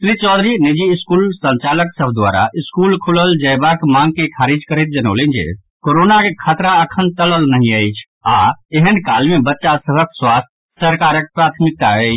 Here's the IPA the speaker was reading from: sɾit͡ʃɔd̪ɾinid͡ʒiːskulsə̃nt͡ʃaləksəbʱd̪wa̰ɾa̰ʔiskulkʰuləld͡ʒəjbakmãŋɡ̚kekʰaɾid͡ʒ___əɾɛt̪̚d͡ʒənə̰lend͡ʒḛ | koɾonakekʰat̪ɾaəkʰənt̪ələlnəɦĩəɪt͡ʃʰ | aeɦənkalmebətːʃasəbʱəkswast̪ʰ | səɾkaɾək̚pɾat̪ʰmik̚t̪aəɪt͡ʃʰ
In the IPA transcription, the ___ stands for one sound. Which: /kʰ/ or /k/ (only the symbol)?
k